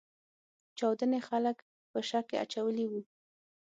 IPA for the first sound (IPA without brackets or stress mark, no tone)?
t͡ʃ